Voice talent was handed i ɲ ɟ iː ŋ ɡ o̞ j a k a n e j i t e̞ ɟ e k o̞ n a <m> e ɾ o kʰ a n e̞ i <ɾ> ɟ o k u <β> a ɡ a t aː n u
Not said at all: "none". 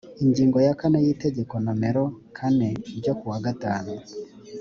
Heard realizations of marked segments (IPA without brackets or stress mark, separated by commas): m, ɾ, w